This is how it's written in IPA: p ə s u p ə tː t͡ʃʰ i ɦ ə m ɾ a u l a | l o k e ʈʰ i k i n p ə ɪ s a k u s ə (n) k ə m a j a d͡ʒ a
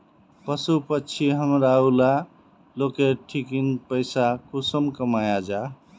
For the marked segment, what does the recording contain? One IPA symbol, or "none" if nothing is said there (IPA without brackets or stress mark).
m